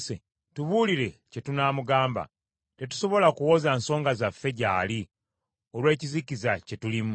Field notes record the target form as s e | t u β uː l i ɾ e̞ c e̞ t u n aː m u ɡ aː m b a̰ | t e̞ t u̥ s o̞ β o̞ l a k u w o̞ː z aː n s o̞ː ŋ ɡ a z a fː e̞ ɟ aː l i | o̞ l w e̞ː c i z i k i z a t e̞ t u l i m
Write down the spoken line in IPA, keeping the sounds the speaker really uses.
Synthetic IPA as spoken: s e | t u β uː l i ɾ e̞ c e̞ t u n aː m u ɡ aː m b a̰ | t e̞ t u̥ s o̞ β o̞ l a k u w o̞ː z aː n s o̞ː ŋ ɡ a z a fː e̞ ɟ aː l i | o̞ l w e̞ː c i z i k i z a c e̞ t u l i m

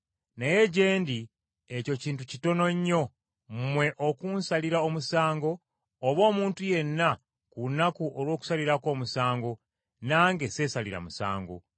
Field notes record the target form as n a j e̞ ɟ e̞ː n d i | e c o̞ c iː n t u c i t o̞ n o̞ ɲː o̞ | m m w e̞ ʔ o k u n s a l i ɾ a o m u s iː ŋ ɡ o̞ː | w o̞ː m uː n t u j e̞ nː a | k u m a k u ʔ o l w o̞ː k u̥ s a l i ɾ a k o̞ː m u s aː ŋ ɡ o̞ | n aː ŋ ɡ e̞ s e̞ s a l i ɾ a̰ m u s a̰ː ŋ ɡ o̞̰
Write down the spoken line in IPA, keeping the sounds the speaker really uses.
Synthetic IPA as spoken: n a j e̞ ɟ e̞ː n d i | e c o̞ c iː n t u c i t o̞ n o̞ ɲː o̞ | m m w e̞ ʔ o k u n s a l i ɾ a o m u s aː ŋ ɡ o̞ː | β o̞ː m uː n t u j e̞ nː a | k u n a k u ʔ o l w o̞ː k u̥ s a l i ɾ a k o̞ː m u s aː ŋ ɡ o̞ | n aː ŋ ɡ e̞ s e̞ s a l i ɾ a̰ m u s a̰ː ŋ ɡ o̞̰

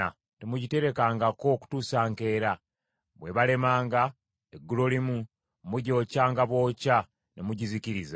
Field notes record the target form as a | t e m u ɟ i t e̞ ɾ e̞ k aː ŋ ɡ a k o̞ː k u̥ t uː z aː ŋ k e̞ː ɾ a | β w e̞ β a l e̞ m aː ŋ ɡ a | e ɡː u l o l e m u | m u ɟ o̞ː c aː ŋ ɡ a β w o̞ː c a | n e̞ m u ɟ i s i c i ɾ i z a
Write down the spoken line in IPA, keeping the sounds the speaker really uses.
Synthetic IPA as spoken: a | t e m u ɟ i t e̞ ɾ e̞ k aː ŋ ɡ a k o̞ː k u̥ t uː s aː ŋ k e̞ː ɾ a | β w e̞ β a l e̞ m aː ŋ ɡ a | e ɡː u l o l i m u | m u ɟ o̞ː c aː ŋ ɡ a β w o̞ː c a | n e̞ m u ɟ i z i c i ɾ i z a

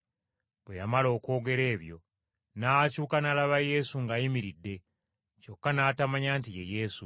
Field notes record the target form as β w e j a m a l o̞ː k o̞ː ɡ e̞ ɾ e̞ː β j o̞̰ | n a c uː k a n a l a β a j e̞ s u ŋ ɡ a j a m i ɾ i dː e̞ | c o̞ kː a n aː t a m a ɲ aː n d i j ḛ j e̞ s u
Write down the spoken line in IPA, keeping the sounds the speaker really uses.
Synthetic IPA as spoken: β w e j a m a l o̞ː k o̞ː ɡ e̞ ɾ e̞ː β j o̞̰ | n a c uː k a n a l a β a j e̞ s u ŋ ɡ a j i m i ɾ i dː e̞ | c o̞ kː a n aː t a m a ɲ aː n t i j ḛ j e̞ s u

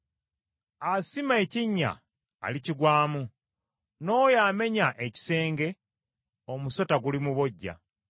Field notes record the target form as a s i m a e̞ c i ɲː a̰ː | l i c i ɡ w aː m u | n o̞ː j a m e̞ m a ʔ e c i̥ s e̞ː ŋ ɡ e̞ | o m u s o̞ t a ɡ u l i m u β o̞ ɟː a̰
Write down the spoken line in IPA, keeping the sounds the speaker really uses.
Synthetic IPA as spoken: a s i m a e̞ c i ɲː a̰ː | l i c i ɡ w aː m u | n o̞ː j a m e̞ ɲ a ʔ e c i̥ s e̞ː ŋ ɡ e̞ | o m u s o̞ t a ɡ u l i m u β o̞ ɟː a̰

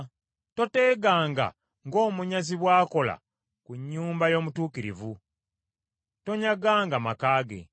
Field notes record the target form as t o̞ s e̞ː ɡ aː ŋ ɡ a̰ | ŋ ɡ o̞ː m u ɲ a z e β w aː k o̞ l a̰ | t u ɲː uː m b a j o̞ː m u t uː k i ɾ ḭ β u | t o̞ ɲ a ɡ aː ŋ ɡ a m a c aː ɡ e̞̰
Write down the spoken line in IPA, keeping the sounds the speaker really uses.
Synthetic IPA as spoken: t o̞ t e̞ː ɡ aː ŋ ɡ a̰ | ŋ ɡ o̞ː m u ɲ a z i β w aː k o̞ l a̰ | k u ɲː uː m b a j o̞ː m u t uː k i ɾ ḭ v u | t o̞ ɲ a ɡ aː ŋ ɡ a m a k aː ɡ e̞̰

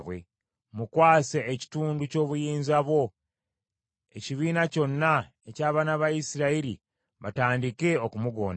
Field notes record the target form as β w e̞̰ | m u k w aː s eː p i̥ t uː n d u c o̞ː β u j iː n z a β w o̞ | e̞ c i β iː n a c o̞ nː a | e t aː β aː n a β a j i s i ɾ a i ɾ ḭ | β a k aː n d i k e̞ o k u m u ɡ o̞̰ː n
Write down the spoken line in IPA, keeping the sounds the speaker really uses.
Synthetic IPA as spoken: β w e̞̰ | m u k w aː s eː c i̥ t uː n d u c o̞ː β u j iː n z a β w o̞ | e̞ c i β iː n a c o̞ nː a | e c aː β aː n a β a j i s i ɾ a i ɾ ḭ | β a t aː n d i k e̞ o k u m u ɡ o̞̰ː n

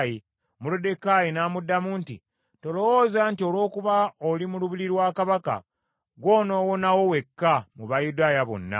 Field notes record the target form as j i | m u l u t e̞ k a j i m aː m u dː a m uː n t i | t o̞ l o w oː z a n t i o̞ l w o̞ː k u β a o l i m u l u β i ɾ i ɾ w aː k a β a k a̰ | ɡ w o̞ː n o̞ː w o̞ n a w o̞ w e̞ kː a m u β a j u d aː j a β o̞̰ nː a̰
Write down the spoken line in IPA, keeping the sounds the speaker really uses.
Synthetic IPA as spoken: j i | m u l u d e̞ k a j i n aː m u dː a m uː n t i | t o̞ l o w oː z a n t i o̞ l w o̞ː k u β a o l i m u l u β i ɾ i ɾ w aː k a β a k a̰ | ɡ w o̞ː n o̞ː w o̞ n a w o̞ w e̞ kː a m u β a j u d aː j a β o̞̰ nː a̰

